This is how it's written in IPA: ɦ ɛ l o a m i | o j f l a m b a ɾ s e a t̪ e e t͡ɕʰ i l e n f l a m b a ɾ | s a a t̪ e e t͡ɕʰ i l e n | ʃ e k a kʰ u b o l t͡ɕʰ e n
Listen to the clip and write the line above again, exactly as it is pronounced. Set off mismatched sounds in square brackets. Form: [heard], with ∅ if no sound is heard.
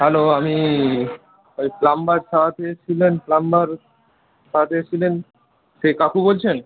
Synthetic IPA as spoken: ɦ ɛ l o a m i | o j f l a m b a ɾ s [a] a t̪ e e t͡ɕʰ i l e n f l a m b a ɾ | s a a t̪ e e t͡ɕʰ i l e n | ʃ e k a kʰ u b o l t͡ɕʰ e n